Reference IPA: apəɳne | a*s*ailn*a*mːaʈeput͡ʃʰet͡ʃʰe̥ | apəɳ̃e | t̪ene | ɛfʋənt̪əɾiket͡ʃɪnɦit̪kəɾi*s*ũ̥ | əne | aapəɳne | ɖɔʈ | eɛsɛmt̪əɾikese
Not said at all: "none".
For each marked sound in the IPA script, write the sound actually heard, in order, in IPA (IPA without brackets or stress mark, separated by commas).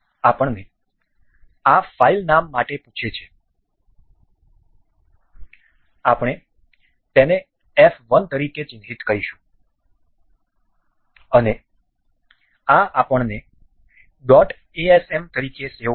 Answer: f, a, ʃ